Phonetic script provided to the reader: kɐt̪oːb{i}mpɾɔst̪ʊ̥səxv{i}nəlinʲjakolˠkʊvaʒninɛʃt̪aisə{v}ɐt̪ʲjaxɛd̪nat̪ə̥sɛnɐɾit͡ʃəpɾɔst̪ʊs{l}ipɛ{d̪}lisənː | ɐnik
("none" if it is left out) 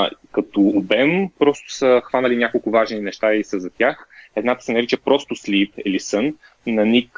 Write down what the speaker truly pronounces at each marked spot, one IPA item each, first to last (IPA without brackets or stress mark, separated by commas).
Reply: ɛ, a, z, l, none